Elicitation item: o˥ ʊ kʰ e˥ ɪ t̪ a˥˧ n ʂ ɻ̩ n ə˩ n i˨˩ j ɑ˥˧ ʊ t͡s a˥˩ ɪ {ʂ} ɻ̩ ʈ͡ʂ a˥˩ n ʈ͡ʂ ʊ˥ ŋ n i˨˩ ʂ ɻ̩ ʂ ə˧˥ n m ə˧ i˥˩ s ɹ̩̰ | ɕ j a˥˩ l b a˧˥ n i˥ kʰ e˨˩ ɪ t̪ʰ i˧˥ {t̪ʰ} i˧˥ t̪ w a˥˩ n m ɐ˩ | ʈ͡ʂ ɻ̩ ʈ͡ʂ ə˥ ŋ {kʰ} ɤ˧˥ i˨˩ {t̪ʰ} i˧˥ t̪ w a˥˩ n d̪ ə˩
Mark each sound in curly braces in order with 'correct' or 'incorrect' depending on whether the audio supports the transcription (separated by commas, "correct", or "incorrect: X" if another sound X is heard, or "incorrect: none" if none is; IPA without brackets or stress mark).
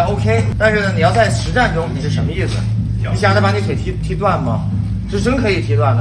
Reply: correct, correct, correct, correct